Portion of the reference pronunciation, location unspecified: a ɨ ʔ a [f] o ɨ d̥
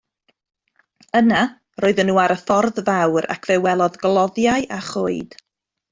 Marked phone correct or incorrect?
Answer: incorrect